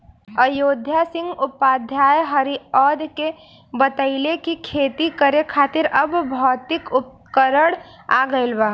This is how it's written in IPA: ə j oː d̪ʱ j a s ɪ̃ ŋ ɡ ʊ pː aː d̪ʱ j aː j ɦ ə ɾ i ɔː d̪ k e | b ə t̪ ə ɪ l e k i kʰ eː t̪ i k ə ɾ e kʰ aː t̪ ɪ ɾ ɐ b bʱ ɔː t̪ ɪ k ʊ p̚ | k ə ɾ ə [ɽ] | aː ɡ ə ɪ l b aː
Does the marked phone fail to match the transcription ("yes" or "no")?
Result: no